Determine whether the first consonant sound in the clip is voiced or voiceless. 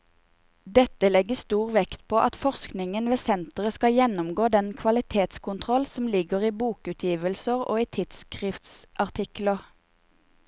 voiced